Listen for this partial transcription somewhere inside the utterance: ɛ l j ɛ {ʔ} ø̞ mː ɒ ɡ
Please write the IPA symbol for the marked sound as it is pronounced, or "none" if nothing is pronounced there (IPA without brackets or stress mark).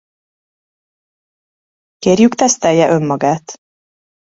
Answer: ʔ